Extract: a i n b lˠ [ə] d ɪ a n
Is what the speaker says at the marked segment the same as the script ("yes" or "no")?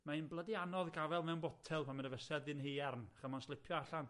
yes